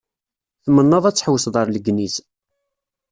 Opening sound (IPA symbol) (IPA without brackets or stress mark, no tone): θ